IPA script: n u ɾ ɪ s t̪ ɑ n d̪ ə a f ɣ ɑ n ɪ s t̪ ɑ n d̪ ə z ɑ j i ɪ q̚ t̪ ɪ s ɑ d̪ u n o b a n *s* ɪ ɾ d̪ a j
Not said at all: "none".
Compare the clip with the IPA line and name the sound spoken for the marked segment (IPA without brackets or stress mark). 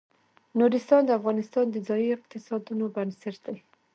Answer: s